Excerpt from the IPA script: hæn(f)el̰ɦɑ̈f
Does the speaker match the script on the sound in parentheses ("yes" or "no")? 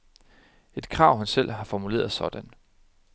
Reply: no